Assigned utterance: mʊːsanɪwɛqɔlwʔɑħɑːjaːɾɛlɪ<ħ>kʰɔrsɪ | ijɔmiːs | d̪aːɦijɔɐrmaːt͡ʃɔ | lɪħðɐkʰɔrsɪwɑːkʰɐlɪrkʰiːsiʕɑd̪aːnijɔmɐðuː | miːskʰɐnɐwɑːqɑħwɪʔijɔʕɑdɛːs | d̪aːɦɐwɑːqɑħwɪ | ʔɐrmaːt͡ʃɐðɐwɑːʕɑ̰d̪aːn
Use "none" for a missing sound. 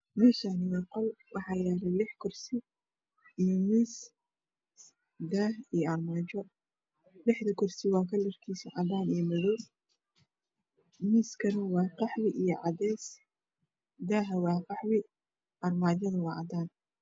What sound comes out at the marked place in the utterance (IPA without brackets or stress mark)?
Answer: ħ